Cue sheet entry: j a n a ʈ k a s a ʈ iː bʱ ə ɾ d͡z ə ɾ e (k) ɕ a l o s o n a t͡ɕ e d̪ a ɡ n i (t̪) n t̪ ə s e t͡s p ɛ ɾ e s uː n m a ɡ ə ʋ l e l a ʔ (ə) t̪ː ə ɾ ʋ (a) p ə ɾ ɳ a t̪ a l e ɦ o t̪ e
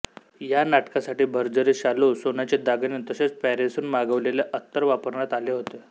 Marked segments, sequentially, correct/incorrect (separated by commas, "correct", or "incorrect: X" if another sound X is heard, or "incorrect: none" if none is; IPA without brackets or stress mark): incorrect: none, incorrect: none, correct, correct